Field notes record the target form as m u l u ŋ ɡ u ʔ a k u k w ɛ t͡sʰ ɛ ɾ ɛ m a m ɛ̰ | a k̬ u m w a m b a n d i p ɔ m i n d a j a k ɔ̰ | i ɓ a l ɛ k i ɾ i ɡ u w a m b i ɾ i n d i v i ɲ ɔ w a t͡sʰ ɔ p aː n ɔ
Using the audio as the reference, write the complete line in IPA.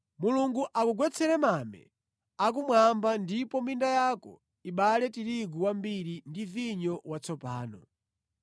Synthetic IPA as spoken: m u l u ŋ ɡ u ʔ a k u ɡ w ɛ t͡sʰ ɛ ɾ ɛ m a m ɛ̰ | a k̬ u m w a m b a n d i p ɔ m i n d a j a k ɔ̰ | i ɓ a l ɛ t i ɾ i ɡ u w a m b i ɾ i n d i v i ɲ ɔ w a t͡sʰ ɔ p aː n ɔ